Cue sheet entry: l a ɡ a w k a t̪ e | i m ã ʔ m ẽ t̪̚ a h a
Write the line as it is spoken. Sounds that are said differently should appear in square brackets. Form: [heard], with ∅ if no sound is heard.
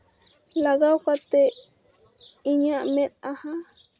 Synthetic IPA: l a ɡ a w k a t̪ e | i [ɲ] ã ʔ m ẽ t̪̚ a h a